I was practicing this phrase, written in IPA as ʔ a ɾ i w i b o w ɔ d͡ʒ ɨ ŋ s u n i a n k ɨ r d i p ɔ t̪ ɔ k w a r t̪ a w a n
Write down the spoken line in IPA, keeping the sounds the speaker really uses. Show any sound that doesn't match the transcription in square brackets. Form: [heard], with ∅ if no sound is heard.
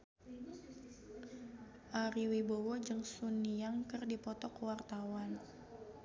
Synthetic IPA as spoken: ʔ a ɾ i w i b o w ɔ d͡ʒ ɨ ŋ s u n i a [ŋ] k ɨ r d i p ɔ t̪ ɔ k w a r t̪ a w a n